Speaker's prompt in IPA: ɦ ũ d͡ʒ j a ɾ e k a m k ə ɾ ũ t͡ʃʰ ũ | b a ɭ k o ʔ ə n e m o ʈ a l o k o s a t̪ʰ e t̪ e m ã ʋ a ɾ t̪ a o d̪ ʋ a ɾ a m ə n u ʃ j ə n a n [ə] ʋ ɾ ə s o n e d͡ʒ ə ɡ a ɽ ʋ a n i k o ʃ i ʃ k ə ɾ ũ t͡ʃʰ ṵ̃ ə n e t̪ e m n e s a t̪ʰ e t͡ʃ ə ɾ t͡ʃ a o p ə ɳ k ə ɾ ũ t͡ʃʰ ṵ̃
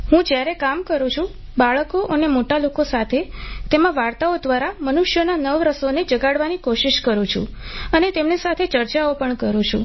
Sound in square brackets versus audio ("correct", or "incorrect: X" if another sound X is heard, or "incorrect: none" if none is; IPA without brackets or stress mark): correct